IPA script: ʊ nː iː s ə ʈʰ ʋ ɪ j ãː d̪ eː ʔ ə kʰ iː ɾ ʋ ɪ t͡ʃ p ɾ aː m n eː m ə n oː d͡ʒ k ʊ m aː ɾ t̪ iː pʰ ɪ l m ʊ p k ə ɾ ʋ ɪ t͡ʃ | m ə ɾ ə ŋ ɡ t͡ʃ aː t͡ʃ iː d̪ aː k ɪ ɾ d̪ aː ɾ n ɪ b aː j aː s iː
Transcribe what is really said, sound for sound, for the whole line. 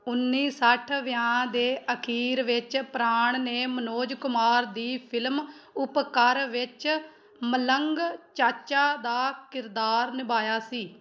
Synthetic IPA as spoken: ʊ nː iː s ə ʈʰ ʋ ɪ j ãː d̪ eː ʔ ə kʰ iː ɾ ʋ ɪ t͡ʃ p ɾ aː ɳ n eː m ə n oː d͡ʒ k ʊ m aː ɾ d̪ iː pʰ ɪ l m ʊ p k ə ɾ ʋ ɪ t͡ʃ | m ə l ə ŋ ɡ t͡ʃ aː t͡ʃ aː d̪ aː k ɪ ɾ d̪ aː ɾ n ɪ b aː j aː s iː

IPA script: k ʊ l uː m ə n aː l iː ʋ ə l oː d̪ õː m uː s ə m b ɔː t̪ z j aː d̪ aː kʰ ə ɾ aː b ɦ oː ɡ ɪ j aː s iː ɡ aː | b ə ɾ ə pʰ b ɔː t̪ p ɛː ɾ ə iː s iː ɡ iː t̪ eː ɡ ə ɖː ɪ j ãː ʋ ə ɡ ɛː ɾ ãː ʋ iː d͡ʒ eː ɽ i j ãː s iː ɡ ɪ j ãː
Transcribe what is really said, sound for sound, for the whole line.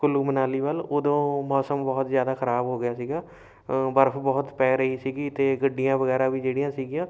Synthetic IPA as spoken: k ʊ l uː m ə n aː l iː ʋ ə l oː d̪ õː m ɔː s ə m b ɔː t̪ z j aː d̪ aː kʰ ə ɾ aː b ɦ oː ɡ ɪ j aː s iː ɡ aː | b ə ɾ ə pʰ b ɔː t̪ p ɛː ɾ ə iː s iː ɡ iː t̪ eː ɡ ə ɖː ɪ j ãː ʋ ə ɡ ɛː ɾ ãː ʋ iː d͡ʒ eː ɽ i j ãː s iː ɡ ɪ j ãː

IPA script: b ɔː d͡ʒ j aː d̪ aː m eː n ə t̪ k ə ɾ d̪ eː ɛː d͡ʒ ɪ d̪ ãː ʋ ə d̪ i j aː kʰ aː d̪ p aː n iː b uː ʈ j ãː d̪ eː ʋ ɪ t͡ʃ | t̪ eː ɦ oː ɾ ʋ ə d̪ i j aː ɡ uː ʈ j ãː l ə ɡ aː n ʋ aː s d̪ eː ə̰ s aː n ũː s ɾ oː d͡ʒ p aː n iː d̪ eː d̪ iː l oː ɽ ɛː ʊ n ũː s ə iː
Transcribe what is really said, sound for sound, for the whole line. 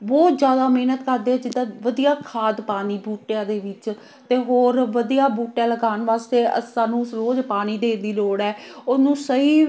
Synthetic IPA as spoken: b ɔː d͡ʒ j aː d̪ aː m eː n ə t̪ k ə ɾ d̪ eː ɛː d͡ʒ ɪ d̪ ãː ʋ ə d̪ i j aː kʰ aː d̪ p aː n iː b uː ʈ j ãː d̪ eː ʋ ɪ t͡ʃ | t̪ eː ɦ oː ɾ ʋ ə d̪ i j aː b uː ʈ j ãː l ə ɡ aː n ʋ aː s t̪ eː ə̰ s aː n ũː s ɾ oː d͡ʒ p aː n iː d̪ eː d̪ iː l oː ɽ ɛː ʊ n ũː s ə iː

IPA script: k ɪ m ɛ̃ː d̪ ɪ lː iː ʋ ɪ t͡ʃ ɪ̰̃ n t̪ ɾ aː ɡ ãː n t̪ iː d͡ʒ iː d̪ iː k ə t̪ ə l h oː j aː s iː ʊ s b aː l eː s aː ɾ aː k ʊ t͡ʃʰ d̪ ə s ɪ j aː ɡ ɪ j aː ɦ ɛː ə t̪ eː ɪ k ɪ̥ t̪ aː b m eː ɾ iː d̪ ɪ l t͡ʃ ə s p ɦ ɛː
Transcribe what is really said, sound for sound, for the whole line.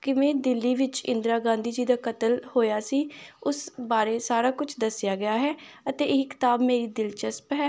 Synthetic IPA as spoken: k ɪ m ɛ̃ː d̪ ɪ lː iː ʋ ɪ t͡ʃ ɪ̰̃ n d̪ ɾ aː ɡ ãː n d̪ iː d͡ʒ iː d̪ aː k ə t̪ ə l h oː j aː s iː ʊ s b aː ɾ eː s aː ɾ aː k ʊ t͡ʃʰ d̪ ə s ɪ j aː ɡ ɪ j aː ɦ ɛː ə t̪ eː ɪ k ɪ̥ t̪ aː b m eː ɾ iː d̪ ɪ l t͡ʃ ə s p ɦ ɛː

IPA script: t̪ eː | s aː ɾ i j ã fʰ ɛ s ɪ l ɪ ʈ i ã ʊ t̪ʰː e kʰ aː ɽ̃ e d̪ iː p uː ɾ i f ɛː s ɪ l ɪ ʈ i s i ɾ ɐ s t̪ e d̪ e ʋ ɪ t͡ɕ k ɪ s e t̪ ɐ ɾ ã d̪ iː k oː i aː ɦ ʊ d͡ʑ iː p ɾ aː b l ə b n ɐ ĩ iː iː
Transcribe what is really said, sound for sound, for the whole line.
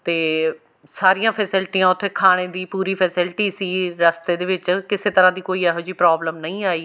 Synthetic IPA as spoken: t̪ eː | s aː ɾ i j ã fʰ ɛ s ɪ l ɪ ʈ i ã ʊ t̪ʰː e kʰ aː ɽ̃ e d̪ iː p uː ɾ i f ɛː s ɪ l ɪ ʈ i s i ɾ ɐ s t̪ e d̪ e ʋ ɪ t͡ɕ k ɪ s e t̪ ɐ ɾ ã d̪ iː k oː i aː ɦ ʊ d͡ʑ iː p ɾ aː b l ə m n ɐ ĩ aː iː

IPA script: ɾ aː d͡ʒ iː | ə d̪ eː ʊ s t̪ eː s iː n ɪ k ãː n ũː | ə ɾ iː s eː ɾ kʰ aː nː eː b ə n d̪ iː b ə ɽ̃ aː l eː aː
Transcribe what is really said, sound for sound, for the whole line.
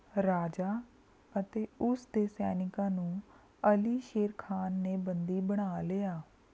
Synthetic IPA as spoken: ɾ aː d͡ʒ aː | ə t̪ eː ʊ s d̪ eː s ɛː n ɪ k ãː n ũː | ə l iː ʃ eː ɾ kʰ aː nː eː b ə n d̪ iː b ə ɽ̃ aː l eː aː

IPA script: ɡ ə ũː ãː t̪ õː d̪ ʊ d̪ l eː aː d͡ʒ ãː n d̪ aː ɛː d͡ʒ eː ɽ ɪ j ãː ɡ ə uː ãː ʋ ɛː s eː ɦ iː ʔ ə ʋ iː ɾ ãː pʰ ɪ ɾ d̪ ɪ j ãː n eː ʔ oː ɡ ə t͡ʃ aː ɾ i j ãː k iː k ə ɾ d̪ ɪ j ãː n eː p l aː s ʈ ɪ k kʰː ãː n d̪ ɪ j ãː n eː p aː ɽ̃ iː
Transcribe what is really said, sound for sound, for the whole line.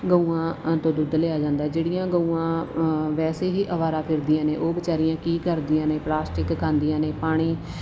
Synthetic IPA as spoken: ɡ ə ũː ãː t̪ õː d̪ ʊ d̪ l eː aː d͡ʒ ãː n d̪ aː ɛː d͡ʒ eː ɽ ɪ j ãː ɡ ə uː ãː ʋ ɛː s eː ɦ iː ʔ ə ʋ aː ɾ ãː pʰ ɪ ɾ d̪ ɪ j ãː n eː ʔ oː b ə t͡ʃ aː ɾ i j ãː k iː k ə ɾ d̪ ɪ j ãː n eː p l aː s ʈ ɪ k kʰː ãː n d̪ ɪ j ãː n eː p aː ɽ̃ iː

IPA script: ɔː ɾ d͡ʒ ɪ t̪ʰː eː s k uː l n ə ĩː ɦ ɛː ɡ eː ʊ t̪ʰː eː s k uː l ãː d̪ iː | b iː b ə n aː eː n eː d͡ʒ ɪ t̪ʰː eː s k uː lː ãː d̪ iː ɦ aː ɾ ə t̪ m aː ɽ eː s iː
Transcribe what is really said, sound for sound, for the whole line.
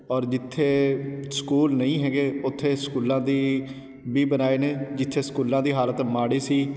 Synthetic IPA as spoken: ɔː ɾ d͡ʒ ɪ t̪ʰː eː s k uː l n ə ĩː ɦ ɛː ɡ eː ʊ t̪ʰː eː s k uː l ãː d̪ iː | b iː b ə n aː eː n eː d͡ʒ ɪ t̪ʰː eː s k uː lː ãː d̪ iː ɦ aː l ə t̪ m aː ɽ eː s iː

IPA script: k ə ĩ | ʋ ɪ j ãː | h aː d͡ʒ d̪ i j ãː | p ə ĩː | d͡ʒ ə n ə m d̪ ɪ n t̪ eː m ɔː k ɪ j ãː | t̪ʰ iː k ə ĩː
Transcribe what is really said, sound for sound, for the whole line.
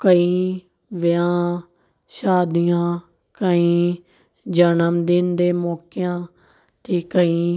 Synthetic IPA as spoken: k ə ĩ | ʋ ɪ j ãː | ʃ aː d̪ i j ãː | k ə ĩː | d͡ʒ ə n ə m d̪ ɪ n d̪ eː m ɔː k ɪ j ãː | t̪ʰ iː k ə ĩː

